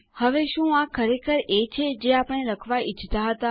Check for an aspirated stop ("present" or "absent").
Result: present